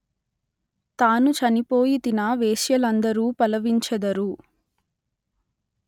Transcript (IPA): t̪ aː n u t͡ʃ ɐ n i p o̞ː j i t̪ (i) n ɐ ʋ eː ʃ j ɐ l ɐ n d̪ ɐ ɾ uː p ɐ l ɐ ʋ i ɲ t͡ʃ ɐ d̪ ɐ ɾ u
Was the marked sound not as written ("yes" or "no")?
no